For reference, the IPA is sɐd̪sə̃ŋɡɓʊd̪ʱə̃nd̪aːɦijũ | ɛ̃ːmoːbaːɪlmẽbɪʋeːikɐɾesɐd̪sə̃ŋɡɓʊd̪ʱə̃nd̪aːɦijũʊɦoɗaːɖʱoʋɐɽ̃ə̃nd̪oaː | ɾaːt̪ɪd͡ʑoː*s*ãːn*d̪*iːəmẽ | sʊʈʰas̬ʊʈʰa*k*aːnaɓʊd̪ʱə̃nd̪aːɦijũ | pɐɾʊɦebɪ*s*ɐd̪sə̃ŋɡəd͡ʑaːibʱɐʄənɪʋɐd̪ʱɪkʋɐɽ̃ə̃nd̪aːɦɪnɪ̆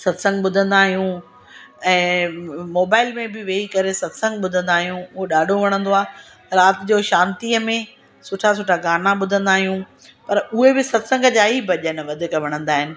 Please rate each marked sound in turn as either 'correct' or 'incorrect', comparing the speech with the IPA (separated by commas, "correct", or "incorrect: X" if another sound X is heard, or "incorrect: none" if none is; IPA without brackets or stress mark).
incorrect: ʃ, incorrect: t̪, incorrect: ɡ, correct